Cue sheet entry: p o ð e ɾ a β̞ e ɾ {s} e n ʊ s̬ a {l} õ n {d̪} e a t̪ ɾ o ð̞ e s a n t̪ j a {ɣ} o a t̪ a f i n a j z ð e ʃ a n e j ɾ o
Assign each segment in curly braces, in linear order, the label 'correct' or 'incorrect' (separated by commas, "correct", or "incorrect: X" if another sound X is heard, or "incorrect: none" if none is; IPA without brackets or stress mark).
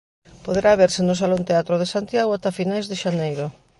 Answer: correct, correct, incorrect: t̪, correct